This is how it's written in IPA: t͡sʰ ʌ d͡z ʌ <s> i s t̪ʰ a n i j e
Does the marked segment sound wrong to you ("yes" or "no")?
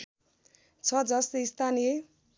no